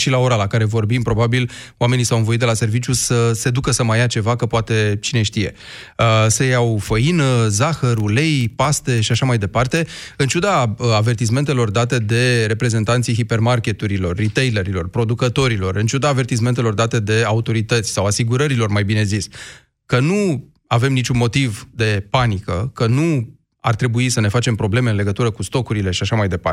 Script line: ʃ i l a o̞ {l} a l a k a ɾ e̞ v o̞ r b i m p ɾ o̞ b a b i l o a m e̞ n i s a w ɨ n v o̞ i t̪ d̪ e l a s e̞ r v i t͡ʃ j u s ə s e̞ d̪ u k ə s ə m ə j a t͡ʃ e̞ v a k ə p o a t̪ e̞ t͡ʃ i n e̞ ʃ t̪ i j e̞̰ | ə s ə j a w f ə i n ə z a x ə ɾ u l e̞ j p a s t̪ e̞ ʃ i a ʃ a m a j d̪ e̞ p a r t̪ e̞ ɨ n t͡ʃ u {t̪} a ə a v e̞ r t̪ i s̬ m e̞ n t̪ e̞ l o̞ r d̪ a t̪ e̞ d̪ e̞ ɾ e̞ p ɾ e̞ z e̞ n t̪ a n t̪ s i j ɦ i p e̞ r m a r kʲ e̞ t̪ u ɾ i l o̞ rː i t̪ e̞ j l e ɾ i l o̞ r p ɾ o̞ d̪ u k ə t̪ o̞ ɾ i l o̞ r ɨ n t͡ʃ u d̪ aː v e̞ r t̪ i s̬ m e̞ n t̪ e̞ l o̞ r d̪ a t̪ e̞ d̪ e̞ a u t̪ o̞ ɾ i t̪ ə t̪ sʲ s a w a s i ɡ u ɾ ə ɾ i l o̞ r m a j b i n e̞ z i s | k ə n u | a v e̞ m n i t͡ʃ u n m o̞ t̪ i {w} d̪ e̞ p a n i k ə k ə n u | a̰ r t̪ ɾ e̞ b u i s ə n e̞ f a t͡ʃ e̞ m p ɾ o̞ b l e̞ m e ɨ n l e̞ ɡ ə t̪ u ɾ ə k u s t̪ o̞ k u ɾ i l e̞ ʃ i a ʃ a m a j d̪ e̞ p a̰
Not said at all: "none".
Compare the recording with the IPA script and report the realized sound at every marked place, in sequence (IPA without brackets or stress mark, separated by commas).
ɾ, d̪, v